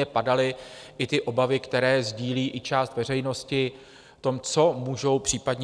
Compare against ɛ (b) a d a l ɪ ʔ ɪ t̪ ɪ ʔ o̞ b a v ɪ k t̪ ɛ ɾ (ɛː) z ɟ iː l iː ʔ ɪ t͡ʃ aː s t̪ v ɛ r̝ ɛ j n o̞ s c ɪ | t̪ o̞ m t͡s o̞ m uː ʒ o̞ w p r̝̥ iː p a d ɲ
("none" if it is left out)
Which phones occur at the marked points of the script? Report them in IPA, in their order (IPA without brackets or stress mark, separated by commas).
p, ɛː